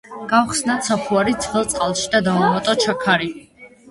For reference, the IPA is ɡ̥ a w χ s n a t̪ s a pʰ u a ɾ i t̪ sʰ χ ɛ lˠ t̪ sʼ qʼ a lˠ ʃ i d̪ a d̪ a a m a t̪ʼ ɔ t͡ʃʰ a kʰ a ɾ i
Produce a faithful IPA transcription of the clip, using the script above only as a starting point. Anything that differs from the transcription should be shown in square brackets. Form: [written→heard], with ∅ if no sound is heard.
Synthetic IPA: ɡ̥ a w χ s n a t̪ s a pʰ u a ɾ i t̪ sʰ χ ɛ lˠ t̪ sʼ qʼ a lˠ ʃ i d̪ a d̪ a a m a t̪ʼ ɔ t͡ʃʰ a kʰ a ɾ i